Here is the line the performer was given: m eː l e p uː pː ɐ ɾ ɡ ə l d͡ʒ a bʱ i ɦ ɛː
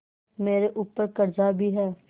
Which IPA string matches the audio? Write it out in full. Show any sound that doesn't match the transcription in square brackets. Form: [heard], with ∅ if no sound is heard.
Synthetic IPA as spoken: m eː [ɾ] e [ʔ] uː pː [ə] ɾ [k] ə [ɾ] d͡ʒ a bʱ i ɦ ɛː